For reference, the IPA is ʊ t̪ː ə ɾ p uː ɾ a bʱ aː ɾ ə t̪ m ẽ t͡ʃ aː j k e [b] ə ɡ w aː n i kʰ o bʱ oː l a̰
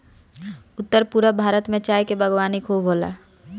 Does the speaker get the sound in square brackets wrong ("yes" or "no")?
no